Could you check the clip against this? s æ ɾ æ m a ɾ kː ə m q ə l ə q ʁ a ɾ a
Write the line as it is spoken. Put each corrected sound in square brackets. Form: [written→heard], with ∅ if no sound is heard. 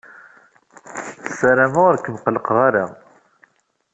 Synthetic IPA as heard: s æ ɾ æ m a ɾ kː ə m q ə l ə q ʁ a ɾ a